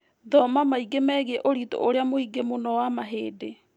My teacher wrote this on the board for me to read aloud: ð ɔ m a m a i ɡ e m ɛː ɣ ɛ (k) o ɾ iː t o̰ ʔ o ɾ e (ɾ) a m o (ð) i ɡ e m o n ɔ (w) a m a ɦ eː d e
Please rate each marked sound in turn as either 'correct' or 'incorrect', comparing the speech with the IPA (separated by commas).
incorrect, incorrect, incorrect, correct